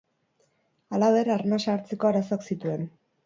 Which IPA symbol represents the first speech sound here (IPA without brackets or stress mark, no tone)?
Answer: a